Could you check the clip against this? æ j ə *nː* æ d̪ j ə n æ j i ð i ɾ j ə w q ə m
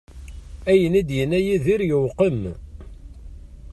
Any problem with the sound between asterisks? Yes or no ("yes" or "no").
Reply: yes